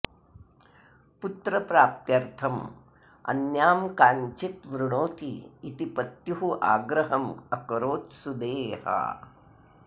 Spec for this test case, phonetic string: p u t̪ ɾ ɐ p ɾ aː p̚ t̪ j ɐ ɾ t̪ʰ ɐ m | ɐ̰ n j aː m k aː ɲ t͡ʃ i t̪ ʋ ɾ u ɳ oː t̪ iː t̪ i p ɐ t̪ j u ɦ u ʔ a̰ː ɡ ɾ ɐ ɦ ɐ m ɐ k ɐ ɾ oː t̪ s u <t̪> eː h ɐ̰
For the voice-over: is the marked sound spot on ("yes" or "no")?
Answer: no